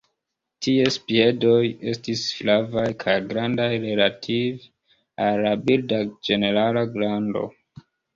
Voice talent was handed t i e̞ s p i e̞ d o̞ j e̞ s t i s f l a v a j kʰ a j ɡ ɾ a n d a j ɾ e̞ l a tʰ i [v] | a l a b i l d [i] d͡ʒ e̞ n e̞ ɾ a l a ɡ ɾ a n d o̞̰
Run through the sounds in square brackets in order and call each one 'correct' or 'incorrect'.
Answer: correct, incorrect: a

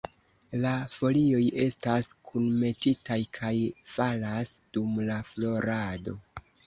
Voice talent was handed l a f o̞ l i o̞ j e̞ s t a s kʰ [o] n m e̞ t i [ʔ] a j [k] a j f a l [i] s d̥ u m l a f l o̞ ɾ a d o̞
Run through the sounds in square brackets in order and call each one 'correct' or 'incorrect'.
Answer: incorrect: u, incorrect: t, incorrect: kʰ, incorrect: a

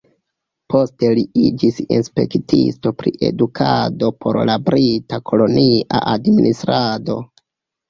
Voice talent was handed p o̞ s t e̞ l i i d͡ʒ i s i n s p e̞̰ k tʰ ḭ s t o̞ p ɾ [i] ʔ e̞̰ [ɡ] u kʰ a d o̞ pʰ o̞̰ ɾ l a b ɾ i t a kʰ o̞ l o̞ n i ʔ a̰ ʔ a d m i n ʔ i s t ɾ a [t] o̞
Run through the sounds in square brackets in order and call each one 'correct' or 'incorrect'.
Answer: correct, incorrect: d, incorrect: d

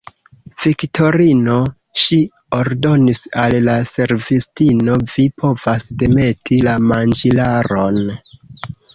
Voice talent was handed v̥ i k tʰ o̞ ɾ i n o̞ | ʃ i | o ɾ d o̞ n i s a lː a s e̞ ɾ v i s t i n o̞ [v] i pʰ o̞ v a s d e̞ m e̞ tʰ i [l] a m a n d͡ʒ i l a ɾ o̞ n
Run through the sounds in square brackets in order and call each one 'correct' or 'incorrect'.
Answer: correct, correct

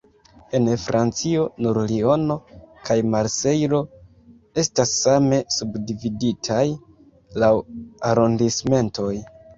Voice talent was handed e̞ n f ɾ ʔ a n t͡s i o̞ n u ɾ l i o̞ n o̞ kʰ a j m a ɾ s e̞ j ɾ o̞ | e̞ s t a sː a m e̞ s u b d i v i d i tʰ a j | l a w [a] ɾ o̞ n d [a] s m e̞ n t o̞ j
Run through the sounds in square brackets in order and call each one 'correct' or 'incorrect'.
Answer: correct, incorrect: i

